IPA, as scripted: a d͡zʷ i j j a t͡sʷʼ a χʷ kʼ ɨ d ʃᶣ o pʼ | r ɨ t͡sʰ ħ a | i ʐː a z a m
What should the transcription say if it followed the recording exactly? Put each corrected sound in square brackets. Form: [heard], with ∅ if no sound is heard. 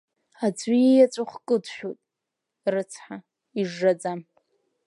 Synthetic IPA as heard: a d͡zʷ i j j a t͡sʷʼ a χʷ kʼ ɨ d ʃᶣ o [tʼ] | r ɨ t͡sʰ ħ a | i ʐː a [d͡z] a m